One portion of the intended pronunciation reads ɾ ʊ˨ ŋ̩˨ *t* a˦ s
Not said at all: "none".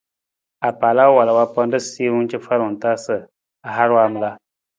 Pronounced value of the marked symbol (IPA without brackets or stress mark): t